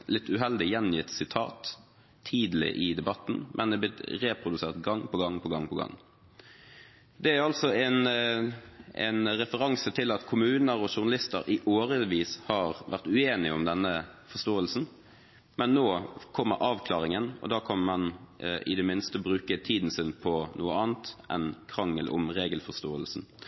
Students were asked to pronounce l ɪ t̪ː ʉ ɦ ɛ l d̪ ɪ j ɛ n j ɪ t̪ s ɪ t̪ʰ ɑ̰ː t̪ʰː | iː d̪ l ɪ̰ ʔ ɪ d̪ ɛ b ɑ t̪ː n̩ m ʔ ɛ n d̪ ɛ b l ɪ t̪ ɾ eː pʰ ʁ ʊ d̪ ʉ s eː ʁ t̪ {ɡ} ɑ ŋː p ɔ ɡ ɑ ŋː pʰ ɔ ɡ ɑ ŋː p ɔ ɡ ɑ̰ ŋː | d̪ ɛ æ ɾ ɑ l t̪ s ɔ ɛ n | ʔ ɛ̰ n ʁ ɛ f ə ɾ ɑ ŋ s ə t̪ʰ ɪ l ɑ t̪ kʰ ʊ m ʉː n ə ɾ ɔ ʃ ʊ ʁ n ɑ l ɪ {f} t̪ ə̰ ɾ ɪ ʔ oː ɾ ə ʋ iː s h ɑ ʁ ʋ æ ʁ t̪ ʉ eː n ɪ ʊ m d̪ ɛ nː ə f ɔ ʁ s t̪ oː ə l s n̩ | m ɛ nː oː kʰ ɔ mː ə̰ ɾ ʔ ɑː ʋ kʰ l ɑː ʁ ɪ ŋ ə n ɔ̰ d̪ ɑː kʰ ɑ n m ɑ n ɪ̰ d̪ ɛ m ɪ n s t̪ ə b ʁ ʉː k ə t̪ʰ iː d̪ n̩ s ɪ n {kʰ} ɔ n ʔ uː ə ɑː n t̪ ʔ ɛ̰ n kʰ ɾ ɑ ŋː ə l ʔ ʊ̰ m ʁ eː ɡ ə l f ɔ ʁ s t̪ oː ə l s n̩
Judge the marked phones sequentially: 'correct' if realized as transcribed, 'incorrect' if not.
correct, incorrect: s, incorrect: pʰ

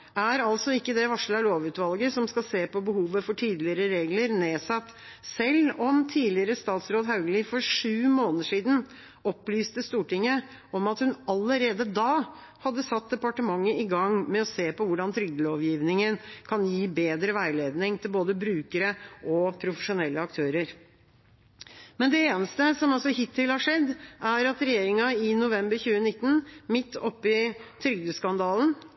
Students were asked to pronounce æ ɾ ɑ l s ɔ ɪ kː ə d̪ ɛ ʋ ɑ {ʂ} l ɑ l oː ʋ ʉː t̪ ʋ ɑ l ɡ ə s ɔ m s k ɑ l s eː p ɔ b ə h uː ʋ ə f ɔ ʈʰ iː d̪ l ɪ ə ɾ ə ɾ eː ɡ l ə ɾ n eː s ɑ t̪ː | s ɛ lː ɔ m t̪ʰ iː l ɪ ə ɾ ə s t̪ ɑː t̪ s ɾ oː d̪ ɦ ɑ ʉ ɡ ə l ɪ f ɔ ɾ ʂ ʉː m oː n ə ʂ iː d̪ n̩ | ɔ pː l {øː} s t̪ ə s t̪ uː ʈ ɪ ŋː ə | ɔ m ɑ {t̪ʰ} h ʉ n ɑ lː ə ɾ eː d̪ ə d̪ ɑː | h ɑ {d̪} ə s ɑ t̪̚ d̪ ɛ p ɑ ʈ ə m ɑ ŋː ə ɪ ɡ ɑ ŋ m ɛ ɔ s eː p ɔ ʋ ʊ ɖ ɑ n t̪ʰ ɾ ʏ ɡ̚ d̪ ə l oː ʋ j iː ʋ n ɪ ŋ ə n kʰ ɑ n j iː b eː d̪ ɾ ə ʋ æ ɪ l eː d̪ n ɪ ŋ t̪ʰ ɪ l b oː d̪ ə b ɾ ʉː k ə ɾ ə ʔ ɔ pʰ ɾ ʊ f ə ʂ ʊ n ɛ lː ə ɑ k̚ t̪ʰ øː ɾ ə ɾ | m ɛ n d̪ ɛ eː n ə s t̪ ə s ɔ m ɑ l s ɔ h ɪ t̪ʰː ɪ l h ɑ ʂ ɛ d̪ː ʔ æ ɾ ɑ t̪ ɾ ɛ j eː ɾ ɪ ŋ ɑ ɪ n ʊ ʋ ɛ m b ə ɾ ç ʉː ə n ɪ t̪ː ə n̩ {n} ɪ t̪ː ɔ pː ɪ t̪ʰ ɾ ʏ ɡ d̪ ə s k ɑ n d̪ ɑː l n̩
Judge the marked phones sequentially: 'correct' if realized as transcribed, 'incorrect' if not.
correct, incorrect: yː, incorrect: t̪, incorrect: d̪ː, incorrect: m

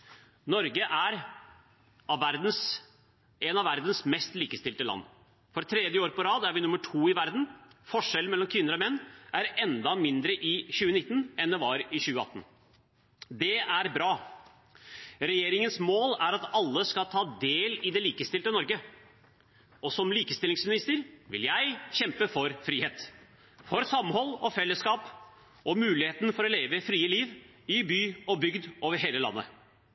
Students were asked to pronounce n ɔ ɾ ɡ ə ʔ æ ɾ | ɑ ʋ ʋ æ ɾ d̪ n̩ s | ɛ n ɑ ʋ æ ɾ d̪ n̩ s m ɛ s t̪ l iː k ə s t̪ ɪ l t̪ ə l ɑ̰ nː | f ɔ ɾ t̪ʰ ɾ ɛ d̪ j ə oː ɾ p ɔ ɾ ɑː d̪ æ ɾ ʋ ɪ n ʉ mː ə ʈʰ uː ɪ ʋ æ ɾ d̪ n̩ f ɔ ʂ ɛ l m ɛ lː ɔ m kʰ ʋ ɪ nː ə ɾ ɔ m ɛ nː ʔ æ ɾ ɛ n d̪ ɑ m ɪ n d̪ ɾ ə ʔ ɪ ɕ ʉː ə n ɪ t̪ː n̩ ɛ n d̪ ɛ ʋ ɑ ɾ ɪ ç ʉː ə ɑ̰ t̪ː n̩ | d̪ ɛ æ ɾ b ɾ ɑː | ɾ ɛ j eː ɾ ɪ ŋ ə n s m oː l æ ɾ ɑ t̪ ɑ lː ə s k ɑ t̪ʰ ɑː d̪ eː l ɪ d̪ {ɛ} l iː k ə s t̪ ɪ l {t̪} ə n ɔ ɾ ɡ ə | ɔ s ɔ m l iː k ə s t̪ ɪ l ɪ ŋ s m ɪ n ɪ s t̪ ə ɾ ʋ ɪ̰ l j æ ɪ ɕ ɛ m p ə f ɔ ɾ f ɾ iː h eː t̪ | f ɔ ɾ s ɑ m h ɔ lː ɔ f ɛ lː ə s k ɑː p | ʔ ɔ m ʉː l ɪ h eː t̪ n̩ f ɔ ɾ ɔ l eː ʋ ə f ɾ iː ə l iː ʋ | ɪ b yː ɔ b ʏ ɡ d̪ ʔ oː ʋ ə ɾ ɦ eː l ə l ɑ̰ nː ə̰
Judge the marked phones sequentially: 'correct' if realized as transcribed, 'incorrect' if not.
correct, correct

